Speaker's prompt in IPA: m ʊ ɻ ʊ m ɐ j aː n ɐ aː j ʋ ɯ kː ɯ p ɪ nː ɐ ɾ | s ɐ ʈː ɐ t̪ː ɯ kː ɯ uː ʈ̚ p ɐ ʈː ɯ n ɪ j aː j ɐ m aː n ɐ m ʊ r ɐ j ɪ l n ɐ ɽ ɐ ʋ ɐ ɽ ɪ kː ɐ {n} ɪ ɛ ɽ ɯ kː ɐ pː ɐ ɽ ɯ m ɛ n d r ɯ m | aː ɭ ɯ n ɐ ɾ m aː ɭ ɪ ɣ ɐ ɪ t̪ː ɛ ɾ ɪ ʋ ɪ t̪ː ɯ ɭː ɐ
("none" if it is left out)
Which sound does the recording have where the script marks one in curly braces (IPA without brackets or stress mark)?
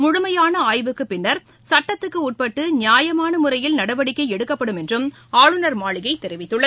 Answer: none